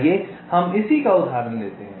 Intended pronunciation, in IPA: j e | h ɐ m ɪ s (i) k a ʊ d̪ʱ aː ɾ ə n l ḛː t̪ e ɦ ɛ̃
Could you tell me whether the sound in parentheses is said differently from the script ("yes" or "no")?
no